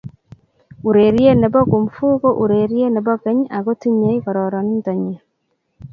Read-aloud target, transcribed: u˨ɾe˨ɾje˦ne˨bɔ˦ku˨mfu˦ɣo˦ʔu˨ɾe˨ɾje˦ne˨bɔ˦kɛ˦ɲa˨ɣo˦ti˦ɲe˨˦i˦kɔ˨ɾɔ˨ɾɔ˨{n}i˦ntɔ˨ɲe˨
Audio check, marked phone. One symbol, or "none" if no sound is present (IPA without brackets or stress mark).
n